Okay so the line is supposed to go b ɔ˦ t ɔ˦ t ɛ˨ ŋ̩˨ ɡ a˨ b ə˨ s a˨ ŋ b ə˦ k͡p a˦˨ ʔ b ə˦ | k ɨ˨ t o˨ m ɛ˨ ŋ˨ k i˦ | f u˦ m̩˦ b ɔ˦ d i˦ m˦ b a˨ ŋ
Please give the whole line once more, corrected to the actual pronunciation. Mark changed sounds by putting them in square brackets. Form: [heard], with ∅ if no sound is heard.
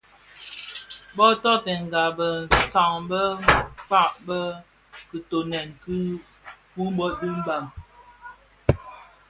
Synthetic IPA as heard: b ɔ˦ t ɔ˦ t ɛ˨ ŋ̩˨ ɡ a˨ b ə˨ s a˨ ŋ b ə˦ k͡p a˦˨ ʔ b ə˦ | k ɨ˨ t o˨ [n] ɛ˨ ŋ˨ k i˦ | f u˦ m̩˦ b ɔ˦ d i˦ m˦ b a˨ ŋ